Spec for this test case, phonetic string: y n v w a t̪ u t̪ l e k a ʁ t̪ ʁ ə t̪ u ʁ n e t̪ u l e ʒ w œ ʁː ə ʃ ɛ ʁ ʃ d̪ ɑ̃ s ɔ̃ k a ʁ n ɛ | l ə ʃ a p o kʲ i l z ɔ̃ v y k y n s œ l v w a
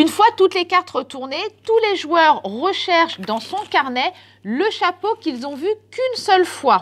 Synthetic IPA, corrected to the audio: y n f w a t̪ u t̪ l e k a ʁ t̪ ʁ ə t̪ u ʁ n e t̪ u l e ʒ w œ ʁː ə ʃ ɛ ʁ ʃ d̪ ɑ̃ s ɔ̃ k a ʁ n ɛ | l ə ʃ a p o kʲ i l z ɔ̃ v y k y n s œ l f w a